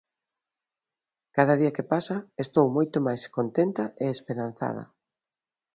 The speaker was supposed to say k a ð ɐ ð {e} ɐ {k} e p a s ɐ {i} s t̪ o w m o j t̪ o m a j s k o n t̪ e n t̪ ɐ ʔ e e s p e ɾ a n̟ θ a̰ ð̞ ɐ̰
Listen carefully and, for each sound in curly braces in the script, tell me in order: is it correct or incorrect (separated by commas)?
incorrect, correct, incorrect